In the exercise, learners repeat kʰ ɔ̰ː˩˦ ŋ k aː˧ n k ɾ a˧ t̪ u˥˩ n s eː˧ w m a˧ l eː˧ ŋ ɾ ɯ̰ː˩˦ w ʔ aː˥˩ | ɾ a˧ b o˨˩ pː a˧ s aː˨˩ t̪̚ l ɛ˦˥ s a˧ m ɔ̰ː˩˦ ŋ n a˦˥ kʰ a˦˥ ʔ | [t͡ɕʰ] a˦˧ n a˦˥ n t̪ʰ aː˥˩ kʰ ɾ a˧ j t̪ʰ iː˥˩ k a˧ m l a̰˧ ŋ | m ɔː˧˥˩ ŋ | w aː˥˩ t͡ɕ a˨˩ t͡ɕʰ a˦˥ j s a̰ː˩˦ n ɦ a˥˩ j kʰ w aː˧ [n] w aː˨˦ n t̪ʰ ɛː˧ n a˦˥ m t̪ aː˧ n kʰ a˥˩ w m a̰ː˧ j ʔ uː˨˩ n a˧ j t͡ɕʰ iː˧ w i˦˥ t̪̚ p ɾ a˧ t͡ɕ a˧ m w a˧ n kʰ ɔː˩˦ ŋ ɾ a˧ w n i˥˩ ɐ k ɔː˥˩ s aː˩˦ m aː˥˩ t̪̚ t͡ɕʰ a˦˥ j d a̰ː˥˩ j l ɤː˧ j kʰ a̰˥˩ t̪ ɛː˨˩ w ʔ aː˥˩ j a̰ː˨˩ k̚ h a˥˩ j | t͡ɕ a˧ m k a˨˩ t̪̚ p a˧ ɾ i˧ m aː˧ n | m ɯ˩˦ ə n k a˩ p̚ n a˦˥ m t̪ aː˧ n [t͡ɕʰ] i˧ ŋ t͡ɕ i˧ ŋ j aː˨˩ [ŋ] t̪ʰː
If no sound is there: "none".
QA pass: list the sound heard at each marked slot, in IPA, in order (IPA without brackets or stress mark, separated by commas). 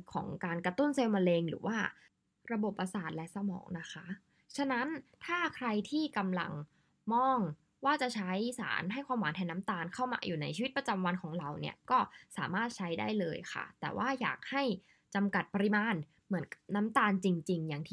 t͡ɕʰ, m, t͡ɕ, ŋ